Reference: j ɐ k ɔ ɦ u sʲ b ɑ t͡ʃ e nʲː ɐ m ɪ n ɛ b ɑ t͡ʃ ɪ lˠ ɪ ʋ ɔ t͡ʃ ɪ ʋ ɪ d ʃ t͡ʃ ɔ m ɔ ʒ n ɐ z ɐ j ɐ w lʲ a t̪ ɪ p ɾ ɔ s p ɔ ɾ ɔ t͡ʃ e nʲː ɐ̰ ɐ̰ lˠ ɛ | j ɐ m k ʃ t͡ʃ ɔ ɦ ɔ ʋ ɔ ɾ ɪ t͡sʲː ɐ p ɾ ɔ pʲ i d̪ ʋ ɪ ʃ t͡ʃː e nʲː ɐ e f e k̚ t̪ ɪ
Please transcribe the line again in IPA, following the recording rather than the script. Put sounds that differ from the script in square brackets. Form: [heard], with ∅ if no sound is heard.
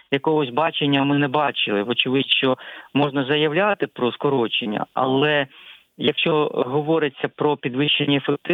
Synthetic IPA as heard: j ɐ k ɔ ɦ [ɔ] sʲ b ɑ t͡ʃ e nʲː ɐ m ɪ n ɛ b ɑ t͡ʃ ɪ lˠ ɪ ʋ ɔ t͡ʃ ɪ ʋ ɪ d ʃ t͡ʃ ɔ m ɔ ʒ n ɐ z ɐ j ɐ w lʲ a t̪ ɪ p ɾ ɔ s [k] ɔ ɾ ɔ t͡ʃ e nʲː ɐ̰ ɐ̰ lˠ ɛ | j ɐ [∅] k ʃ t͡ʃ ɔ ɦ ɔ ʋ ɔ ɾ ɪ t͡sʲː ɐ p ɾ ɔ pʲ i d̪ ʋ ɪ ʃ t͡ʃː e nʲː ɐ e f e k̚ t̪ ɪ